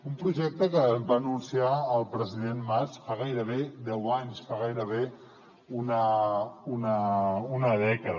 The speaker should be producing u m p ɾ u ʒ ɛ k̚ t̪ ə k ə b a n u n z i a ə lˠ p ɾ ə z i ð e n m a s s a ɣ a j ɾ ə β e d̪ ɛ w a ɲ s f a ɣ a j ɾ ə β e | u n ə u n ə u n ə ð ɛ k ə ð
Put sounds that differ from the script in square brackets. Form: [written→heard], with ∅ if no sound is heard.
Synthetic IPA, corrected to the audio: u m p ɾ u ʒ ɛ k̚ t̪ ə k ə b a n u n [z→s] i a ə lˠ p ɾ ə z i ð e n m a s [s→f] a ɣ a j ɾ ə β e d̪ ɛ w a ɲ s f a ɣ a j ɾ ə β e | u n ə u n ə u n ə ð ɛ k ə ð